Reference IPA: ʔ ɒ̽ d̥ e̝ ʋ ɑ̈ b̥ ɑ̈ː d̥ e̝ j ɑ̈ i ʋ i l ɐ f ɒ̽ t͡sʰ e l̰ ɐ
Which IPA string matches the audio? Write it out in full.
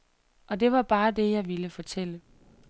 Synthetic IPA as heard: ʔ ɒ̽ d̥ e̝ ʋ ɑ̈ b̥ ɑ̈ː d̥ e̝ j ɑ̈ ɪ ʋ i l ə f ɒ̽ t͡sʰ e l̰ ə